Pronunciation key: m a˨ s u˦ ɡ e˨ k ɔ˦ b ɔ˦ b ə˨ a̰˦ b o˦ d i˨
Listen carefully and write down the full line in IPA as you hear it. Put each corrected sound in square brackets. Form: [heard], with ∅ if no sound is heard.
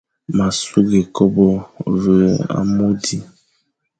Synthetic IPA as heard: m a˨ s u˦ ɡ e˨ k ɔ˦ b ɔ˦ [v] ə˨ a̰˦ [m] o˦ d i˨